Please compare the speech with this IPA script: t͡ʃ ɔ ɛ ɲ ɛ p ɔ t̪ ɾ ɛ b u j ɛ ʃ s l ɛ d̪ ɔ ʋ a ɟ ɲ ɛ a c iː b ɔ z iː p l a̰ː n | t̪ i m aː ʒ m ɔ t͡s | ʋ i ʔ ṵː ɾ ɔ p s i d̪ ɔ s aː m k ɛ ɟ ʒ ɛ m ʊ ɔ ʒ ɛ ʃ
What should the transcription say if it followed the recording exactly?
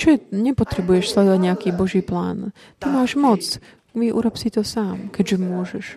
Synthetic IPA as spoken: t͡ʃ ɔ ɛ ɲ ɛ p ɔ t̪ ɾ ɛ b u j ɛ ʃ s l ɛ d̪ ɔ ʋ a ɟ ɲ ɛ a k iː b ɔ ʒ iː p l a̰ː n | t̪ i m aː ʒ m ɔ t͡s | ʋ i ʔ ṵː ɾ ɔ p s i t̪ ɔ s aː m k ɛ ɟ ʒ ɛ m ʊ ɔ ʒ ɛ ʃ